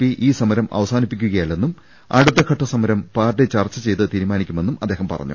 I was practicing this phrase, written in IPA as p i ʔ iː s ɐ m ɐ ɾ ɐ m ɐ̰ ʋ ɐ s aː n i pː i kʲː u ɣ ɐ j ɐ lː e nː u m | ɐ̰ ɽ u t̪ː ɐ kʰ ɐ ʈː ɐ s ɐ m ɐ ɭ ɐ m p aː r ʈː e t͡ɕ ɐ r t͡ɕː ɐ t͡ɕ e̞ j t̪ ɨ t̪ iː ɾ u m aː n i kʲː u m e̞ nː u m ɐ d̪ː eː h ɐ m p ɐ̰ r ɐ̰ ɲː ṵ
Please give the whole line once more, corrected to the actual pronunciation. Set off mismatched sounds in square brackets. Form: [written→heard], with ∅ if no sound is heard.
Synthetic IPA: p i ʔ iː s ɐ m ɐ ɾ ɐ m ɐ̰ ʋ ɐ s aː n i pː i kʲː u ɣ ɐ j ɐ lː e nː u m | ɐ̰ ɽ u t̪ː ɐ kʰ ɐ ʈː ɐ s ɐ m ɐ [ɭ→ɾ] ɐ m p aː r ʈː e t͡ɕ ɐ r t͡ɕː ɐ t͡ɕ e̞ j t̪ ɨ t̪ iː ɾ u m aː n i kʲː u m e̞ nː u m ɐ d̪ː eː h ɐ m p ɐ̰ r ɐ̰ ɲː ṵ